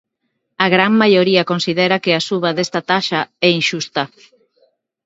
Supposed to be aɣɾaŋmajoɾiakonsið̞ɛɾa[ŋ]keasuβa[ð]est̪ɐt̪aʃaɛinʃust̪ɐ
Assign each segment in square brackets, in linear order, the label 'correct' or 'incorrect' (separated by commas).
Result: incorrect, correct